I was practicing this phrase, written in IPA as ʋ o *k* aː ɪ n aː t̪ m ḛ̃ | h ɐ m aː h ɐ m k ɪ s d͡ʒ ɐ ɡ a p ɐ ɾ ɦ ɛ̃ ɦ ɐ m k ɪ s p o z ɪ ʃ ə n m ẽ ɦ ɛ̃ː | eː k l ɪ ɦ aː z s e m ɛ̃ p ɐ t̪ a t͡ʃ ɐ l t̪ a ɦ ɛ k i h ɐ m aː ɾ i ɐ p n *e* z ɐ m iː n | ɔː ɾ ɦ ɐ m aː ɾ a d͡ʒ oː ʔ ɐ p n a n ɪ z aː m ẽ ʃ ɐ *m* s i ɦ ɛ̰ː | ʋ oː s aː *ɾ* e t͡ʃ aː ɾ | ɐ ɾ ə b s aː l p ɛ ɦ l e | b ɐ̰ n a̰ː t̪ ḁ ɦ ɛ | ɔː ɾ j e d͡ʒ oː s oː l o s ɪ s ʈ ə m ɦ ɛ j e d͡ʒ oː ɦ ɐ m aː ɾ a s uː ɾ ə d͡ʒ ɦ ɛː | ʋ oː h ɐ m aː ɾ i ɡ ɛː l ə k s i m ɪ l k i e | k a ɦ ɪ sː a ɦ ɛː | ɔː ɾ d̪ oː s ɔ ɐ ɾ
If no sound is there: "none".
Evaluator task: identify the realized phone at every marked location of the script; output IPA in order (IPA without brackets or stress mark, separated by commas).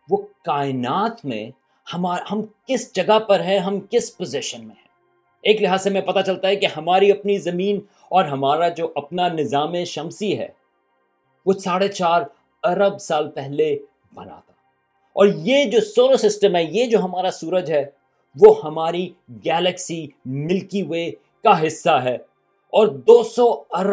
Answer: k, i, m, ɽ